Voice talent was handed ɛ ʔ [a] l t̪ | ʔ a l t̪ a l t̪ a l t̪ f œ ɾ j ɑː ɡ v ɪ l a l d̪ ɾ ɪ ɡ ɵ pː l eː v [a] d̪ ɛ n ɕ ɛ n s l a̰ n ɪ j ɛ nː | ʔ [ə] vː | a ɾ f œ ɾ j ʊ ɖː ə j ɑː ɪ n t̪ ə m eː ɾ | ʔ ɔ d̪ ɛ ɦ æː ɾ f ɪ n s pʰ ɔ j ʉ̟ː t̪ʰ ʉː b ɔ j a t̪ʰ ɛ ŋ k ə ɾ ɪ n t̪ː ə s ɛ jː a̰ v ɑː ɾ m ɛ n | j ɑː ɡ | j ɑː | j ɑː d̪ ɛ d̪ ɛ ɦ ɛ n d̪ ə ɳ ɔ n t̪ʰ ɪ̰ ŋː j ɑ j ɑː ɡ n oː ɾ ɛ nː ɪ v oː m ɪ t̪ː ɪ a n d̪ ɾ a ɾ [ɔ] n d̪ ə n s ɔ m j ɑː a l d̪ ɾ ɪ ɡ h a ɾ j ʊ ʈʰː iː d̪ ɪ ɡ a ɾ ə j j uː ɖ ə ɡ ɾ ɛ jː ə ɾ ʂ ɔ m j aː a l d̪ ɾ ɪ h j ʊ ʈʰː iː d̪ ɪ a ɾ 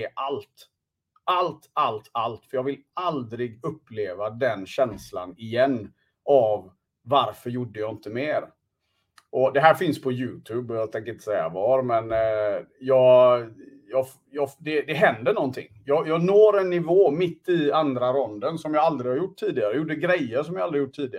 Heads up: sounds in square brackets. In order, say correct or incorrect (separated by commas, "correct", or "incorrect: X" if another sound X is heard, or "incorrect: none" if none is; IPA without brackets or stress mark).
correct, correct, incorrect: a, correct